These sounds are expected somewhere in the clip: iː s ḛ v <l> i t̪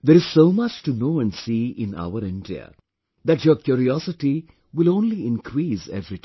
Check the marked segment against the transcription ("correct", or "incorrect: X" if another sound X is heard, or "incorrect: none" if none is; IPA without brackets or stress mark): incorrect: ɾ